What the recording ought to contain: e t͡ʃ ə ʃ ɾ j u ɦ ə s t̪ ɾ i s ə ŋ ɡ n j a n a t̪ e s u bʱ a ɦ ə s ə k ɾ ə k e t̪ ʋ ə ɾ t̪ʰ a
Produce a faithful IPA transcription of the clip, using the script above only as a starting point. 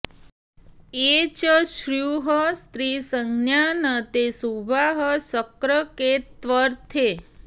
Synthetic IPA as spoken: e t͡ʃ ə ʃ ɾ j u ɦ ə s t̪ ɾ i s ə ŋ ɡ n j a n ə t̪ e s u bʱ a ɦ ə s ə k ɾ ə k e t̪ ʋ ə ɾ t̪ʰ e